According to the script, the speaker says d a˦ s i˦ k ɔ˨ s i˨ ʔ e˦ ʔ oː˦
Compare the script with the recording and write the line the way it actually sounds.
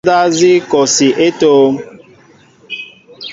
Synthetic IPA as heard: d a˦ z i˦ k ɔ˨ s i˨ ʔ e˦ t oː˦